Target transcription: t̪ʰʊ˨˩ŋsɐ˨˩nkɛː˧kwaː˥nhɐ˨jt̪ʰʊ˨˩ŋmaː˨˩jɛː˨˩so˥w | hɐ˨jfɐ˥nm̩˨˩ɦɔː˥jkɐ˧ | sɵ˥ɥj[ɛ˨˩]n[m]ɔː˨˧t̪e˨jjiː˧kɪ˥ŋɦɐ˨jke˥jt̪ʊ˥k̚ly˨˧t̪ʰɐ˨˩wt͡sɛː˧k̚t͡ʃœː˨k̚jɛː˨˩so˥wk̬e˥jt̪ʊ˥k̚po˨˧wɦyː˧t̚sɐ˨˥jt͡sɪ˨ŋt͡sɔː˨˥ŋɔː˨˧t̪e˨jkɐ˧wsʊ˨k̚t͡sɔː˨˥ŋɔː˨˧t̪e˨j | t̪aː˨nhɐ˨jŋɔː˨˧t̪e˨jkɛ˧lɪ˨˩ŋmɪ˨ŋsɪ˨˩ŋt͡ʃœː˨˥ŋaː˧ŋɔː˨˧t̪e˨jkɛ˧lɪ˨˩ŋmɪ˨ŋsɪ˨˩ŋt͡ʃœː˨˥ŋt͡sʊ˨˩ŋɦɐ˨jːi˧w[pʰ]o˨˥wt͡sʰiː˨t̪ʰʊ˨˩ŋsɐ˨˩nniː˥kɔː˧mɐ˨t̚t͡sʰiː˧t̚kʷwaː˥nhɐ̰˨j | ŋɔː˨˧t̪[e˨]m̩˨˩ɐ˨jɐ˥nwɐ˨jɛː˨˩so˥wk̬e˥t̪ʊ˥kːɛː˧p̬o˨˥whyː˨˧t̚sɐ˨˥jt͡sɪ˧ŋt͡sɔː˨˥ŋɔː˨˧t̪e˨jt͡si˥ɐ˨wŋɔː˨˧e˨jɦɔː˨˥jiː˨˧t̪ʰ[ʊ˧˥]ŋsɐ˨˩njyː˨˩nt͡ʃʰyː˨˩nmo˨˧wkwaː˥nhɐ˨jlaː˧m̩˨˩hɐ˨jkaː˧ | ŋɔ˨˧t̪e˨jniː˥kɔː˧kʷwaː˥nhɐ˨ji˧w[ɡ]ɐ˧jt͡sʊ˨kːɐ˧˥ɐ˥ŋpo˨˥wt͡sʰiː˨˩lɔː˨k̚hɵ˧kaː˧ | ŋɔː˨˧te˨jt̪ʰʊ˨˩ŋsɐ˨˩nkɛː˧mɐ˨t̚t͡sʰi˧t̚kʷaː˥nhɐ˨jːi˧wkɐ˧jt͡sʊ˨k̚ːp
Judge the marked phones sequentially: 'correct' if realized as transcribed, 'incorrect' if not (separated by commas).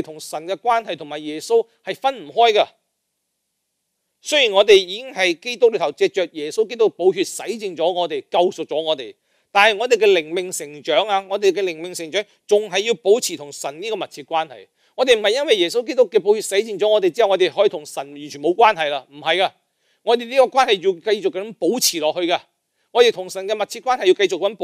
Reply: incorrect, incorrect, incorrect, correct, incorrect, incorrect